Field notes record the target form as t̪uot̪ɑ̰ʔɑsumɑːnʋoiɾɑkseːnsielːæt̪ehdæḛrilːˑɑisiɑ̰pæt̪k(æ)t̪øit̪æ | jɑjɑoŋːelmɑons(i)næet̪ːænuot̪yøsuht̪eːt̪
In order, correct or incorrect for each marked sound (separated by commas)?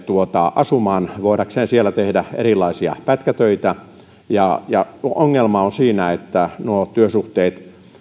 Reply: correct, incorrect